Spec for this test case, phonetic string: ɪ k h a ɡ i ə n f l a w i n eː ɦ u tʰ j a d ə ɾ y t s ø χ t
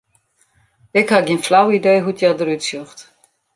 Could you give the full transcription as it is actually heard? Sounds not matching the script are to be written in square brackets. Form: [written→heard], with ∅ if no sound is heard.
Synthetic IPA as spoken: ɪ k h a ɡ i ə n f l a w i [n→d] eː ɦ u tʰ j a d ə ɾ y t s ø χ t